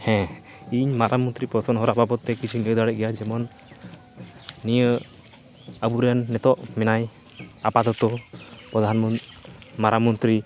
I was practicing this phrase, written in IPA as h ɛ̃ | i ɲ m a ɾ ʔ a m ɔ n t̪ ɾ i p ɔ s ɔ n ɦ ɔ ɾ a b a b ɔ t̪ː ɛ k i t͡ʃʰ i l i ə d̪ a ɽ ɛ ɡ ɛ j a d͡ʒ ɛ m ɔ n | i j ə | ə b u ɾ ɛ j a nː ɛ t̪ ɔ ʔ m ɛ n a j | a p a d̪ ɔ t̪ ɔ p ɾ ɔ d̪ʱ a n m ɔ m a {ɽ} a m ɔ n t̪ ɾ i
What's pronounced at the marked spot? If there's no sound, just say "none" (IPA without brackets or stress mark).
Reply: ɾ